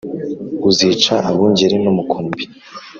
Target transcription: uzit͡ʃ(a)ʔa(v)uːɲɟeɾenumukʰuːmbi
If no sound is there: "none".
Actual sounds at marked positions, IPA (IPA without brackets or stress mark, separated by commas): a, β